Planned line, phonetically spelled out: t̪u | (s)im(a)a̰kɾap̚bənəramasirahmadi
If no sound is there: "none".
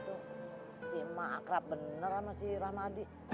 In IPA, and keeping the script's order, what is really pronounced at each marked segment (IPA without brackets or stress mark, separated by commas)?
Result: s, a